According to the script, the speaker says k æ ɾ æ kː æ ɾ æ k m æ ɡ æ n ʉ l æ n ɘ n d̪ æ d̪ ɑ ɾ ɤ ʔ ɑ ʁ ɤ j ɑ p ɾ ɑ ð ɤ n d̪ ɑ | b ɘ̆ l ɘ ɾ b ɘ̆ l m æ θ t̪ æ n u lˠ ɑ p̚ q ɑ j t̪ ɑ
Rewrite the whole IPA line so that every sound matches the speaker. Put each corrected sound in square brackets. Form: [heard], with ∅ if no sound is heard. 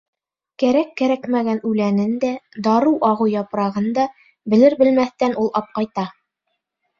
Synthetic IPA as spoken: k æ ɾ æ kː æ ɾ æ k m æ ɡ æ n ʉ l æ n ɘ n d̪ æ d̪ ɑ ɾ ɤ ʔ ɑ ʁ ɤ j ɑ p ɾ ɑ [ʁ] ɤ n d̪ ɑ | b ɘ̆ l ɘ ɾ b ɘ̆ l m æ θ t̪ æ n u lˠ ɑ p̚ q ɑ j t̪ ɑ

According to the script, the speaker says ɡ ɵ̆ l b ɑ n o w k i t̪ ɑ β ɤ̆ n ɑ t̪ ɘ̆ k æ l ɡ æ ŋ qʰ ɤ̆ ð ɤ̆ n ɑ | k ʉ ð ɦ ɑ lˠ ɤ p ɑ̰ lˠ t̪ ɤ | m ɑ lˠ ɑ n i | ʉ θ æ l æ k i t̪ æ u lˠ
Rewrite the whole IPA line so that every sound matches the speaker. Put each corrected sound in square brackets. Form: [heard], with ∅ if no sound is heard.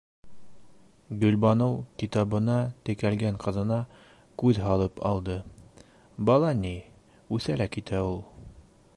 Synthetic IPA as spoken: ɡ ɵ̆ l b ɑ n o w k i t̪ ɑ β ɤ̆ n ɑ t̪ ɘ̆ k æ l ɡ æ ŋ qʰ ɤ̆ ð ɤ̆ n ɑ | k ʉ ð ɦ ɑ lˠ ɤ p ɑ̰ lˠ [d̪] ɤ | [b] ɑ lˠ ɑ n i | ʉ θ æ l æ k i t̪ æ u lˠ

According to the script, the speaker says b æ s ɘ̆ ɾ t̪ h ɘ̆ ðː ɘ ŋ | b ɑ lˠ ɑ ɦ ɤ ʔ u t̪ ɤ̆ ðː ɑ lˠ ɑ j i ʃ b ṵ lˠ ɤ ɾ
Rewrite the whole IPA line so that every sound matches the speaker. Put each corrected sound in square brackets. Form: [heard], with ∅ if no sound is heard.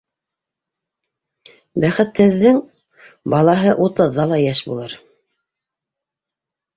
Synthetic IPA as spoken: b æ [χ] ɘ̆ [∅] t̪ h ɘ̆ ðː ɘ ŋ | b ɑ lˠ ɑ ɦ ɤ ʔ u t̪ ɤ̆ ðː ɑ lˠ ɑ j [æ] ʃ b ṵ lˠ ɤ ɾ

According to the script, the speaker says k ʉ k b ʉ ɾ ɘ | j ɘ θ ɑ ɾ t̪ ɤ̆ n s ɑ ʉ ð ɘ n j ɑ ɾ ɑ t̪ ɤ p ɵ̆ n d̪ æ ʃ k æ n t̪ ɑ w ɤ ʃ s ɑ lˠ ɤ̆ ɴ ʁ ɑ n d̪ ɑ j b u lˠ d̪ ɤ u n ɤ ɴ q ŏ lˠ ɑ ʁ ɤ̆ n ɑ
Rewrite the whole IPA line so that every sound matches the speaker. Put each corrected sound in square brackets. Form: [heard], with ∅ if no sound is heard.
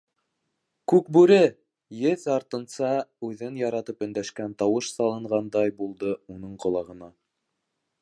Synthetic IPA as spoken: k ʉ k b ʉ ɾ ɘ | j ɘ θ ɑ ɾ t̪ ɤ̆ n s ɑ ʉ ð ɘ n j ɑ ɾ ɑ t̪ ɤ p ɵ̆ n d̪ æ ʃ k æ n t̪ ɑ w ɤ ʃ s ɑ lˠ ɤ̆ ɴ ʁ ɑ n d̪ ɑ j b u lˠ d̪ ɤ u n ɤ ɴ q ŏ lˠ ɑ ʁ ɤ̆ n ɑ

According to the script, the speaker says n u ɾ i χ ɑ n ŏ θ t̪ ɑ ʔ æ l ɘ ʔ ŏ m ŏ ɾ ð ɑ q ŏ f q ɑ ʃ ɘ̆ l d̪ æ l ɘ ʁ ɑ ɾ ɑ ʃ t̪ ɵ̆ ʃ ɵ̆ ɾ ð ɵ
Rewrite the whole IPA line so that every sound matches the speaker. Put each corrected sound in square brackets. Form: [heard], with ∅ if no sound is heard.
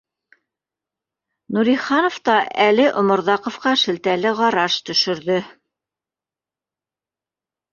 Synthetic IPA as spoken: n u ɾ i χ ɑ n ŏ [f] t̪ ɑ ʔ æ l ɘ ʔ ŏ m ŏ ɾ ð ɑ q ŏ f q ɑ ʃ ɘ̆ l [t̪] æ l ɘ ʁ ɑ ɾ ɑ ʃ t̪ ɵ̆ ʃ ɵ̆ ɾ ð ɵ

